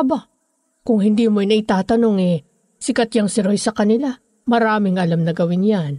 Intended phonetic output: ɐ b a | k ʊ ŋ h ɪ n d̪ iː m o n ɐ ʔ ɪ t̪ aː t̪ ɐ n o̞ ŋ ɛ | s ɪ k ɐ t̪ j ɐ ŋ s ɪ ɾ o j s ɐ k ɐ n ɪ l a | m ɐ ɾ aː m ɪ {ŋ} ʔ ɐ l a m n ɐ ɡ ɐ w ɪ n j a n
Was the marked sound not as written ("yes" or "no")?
no